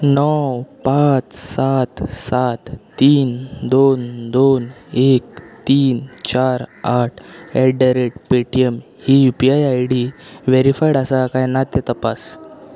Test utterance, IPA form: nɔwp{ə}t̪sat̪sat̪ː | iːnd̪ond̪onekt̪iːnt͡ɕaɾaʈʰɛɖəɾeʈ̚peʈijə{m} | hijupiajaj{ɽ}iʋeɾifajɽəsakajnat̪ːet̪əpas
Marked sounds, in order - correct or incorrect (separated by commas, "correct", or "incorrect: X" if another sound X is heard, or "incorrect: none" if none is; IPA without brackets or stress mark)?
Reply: incorrect: a, correct, correct